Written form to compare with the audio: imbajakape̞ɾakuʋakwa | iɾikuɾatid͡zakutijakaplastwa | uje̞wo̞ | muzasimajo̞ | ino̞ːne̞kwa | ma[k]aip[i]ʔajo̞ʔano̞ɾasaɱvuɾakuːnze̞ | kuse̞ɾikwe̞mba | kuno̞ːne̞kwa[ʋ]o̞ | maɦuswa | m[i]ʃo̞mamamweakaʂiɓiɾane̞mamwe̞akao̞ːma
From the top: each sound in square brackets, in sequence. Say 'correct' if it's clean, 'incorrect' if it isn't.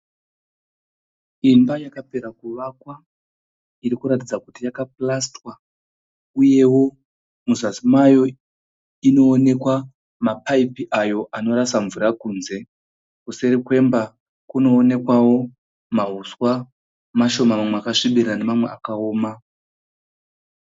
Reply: incorrect, correct, incorrect, incorrect

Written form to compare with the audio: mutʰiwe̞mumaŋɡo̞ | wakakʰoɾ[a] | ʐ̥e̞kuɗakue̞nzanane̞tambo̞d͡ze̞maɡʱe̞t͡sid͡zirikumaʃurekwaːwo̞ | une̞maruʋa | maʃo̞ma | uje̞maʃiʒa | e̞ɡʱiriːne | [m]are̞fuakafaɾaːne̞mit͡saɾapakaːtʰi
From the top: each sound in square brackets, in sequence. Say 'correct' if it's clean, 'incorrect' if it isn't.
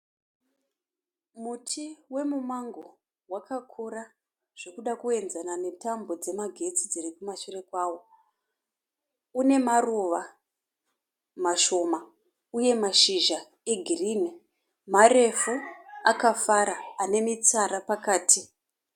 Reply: correct, correct

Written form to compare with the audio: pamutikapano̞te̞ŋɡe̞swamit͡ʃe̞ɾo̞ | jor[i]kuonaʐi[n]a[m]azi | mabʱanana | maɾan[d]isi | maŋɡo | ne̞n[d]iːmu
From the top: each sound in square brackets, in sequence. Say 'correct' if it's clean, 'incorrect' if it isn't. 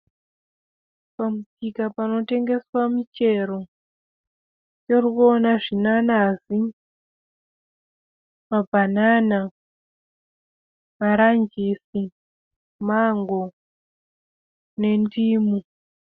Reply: correct, correct, incorrect, incorrect, correct

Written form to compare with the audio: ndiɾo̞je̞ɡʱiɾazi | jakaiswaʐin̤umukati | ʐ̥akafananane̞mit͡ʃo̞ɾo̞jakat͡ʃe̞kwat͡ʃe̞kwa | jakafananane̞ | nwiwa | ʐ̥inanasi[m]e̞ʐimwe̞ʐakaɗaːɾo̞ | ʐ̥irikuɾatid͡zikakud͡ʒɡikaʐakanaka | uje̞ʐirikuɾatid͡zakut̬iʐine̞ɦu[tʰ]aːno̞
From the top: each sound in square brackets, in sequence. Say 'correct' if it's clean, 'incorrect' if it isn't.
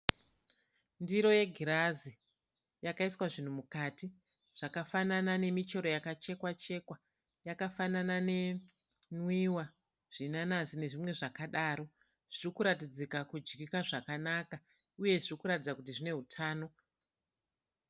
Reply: incorrect, correct

